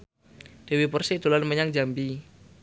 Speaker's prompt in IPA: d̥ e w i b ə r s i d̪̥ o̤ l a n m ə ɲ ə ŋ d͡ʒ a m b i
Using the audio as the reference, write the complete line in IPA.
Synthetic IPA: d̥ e w i p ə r s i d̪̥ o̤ l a n m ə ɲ a ŋ d͡ʒ a m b i